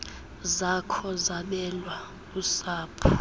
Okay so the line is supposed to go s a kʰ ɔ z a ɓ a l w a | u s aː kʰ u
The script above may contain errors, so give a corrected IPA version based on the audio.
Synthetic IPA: z a kʰ ɔ z a ɓ ɛ l w a | u s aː pʰ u